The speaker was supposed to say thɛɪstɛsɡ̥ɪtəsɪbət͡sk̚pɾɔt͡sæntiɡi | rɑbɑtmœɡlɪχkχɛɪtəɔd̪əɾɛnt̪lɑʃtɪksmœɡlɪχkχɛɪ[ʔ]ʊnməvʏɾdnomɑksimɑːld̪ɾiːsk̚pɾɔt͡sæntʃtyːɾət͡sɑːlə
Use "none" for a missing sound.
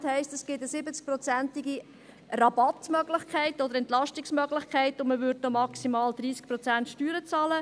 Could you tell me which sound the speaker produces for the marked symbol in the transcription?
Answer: t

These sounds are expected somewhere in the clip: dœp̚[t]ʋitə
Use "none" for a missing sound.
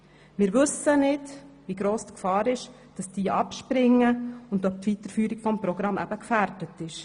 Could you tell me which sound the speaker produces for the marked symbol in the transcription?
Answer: t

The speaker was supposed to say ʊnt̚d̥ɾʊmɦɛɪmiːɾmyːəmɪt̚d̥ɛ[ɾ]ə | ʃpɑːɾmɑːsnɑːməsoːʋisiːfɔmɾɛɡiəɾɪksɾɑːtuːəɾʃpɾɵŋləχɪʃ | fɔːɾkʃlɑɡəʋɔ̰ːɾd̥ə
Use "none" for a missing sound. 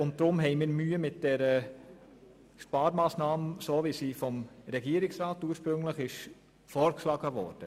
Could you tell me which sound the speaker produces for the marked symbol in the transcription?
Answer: ɾ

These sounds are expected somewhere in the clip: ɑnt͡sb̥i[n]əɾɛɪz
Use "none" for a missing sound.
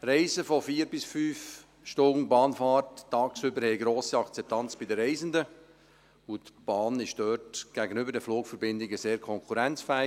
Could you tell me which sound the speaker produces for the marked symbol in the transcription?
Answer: d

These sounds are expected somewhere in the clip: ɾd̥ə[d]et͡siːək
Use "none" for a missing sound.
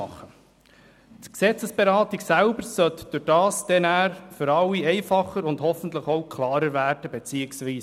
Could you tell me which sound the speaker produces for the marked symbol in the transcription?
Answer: b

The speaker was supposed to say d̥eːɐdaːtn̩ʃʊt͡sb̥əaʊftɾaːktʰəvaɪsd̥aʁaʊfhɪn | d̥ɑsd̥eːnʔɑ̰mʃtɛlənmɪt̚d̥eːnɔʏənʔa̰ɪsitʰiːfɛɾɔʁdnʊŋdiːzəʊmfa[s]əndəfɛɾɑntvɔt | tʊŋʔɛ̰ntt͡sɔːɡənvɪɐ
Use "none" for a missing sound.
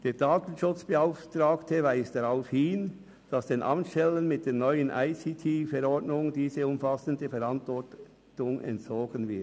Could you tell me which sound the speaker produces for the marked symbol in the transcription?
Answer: s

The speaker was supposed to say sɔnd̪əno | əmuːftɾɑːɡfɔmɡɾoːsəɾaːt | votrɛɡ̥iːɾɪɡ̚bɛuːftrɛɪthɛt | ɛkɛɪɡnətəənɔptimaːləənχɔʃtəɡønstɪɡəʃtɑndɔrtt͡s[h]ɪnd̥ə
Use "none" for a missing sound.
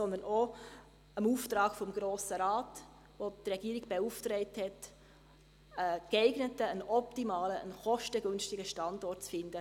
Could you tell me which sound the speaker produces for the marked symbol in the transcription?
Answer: f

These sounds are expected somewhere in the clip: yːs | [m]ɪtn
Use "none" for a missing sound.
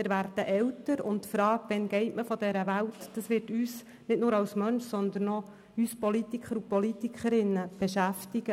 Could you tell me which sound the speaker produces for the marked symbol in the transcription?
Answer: n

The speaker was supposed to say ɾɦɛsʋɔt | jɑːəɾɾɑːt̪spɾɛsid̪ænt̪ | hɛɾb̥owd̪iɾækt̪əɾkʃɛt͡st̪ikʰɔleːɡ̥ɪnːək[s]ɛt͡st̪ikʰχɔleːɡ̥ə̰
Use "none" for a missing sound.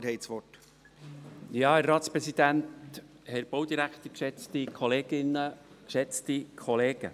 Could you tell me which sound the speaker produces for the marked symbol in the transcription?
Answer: ʃ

